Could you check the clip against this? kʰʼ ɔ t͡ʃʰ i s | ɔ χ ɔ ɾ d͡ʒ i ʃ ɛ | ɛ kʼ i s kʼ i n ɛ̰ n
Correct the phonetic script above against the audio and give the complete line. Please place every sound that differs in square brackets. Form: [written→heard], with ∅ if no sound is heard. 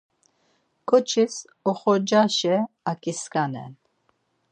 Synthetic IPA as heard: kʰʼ ɔ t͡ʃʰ i s | ɔ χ ɔ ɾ d͡ʒ [i→a] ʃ ɛ | [ɛ→a] kʼ i s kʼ [i→a] n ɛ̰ n